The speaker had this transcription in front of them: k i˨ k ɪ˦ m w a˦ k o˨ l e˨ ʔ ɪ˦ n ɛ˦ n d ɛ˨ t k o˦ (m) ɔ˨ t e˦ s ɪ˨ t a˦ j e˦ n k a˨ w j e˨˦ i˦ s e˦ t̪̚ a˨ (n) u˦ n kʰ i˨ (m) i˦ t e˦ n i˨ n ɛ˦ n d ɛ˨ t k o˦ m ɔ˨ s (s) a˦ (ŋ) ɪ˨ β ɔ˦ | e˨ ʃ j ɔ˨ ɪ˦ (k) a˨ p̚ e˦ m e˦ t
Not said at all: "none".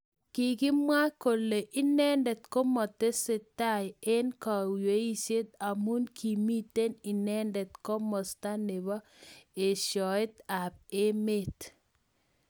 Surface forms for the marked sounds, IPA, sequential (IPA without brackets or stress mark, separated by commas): m, m, m, t, n, t